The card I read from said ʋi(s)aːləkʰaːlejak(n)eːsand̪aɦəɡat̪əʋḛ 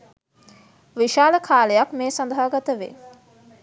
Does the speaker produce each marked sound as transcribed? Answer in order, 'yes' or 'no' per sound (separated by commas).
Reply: no, no